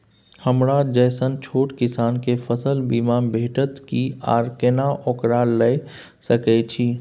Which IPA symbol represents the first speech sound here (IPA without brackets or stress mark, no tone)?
h